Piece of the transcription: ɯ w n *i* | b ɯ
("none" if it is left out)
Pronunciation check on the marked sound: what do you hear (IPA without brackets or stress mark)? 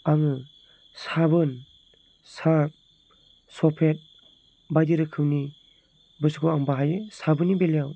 i